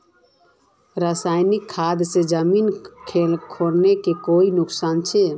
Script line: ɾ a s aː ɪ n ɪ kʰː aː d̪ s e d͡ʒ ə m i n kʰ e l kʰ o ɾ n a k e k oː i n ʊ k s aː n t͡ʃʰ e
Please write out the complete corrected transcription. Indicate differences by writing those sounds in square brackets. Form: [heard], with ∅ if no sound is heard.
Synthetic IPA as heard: ɾ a s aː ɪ n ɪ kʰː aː d̪ s e d͡ʒ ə m i n kʰ e l kʰ o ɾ n [e] k e k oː i n ʊ k s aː n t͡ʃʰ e